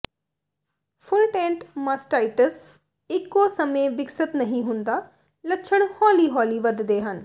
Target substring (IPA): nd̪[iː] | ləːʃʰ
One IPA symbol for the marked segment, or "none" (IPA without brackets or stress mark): aː